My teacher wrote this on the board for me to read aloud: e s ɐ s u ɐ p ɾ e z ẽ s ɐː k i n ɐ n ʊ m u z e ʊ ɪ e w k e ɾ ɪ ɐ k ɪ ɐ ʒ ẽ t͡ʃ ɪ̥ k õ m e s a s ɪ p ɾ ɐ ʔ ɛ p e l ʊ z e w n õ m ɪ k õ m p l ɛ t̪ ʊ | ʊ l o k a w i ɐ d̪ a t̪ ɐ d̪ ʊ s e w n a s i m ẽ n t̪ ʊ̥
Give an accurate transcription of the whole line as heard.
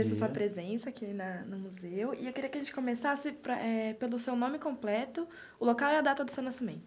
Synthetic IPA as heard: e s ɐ s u ɐ p ɾ e z ẽ s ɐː k i n ɐ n ʊ m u z e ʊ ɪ e w k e ɾ i ɐ k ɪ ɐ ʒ ẽ t͡ʃ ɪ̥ k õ m e s a s ɪ p ɾ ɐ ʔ ɛ p e l ʊ s e w n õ m ɪ k õ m p l ɛ t̪ ʊ | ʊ l o k a w ɛ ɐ d̪ a t̪ ɐ d̪ ʊ s e w n a s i m ẽ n t̪ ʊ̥